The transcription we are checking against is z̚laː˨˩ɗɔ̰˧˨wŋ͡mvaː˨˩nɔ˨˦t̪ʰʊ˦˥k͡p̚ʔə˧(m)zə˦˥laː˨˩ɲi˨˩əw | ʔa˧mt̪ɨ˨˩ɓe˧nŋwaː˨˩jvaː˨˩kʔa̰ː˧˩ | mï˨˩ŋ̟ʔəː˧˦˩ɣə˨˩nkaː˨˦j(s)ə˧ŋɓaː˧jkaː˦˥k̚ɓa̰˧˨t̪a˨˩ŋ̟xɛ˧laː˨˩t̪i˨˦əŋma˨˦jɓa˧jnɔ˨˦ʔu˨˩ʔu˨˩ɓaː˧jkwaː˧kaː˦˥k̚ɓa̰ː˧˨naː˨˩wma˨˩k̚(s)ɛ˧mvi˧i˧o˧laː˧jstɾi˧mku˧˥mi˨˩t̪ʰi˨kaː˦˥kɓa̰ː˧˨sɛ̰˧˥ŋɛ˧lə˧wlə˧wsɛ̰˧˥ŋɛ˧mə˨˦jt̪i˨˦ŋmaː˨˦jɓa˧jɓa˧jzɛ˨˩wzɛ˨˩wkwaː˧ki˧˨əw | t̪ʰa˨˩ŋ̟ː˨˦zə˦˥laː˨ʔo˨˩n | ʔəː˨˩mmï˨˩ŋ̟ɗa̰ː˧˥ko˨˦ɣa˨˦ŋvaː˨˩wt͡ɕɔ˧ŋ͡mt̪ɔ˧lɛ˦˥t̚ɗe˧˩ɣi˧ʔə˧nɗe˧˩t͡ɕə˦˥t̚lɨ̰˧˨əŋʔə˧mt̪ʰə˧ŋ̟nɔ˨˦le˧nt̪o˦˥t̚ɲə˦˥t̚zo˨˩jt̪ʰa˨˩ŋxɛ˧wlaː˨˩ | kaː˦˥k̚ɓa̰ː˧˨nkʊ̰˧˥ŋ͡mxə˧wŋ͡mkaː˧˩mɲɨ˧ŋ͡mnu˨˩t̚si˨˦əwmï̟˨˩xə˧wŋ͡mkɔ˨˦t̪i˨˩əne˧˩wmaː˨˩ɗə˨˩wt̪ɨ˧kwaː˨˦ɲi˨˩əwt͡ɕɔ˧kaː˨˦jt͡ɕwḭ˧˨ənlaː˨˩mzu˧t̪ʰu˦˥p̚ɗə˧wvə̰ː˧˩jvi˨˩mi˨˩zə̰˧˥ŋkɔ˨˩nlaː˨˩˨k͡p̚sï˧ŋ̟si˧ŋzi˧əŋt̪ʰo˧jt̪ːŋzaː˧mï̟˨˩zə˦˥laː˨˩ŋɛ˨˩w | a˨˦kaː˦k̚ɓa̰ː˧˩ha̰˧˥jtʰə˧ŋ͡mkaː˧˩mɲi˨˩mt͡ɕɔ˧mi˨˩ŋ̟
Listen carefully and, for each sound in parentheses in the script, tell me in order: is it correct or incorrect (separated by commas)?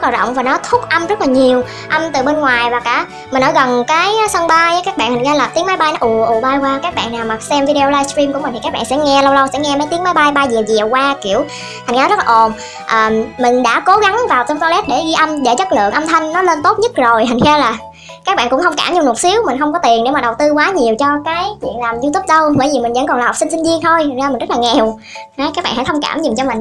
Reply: correct, correct, correct